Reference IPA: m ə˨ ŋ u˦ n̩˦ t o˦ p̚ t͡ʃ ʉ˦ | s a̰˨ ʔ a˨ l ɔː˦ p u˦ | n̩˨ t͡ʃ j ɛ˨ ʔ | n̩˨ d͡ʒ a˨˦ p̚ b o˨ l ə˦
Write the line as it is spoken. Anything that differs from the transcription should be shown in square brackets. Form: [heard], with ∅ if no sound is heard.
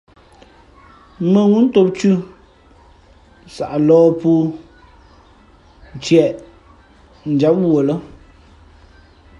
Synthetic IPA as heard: m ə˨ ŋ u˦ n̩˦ t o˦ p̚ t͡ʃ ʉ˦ | s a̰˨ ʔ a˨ l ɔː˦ p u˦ | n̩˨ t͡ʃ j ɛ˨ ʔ | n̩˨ d͡ʒ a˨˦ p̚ [w] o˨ l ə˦